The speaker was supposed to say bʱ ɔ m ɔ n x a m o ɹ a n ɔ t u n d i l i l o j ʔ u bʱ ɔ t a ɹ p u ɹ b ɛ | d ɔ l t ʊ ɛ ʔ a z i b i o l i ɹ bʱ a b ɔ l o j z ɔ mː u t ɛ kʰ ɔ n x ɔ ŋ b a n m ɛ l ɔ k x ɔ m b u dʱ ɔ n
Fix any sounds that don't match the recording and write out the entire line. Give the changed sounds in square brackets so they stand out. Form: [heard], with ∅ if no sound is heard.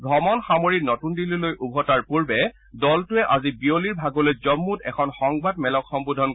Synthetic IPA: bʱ ɔ m ɔ n x a m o ɹ [i] n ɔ t u n d i l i l o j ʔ u bʱ ɔ t a ɹ p u ɹ b ɛ | d ɔ l t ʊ ɛ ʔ a z i b i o l i ɹ bʱ a [ɡ] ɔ l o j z ɔ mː u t ɛ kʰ ɔ n x ɔ ŋ b a [d] m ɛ l ɔ k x ɔ m b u dʱ ɔ n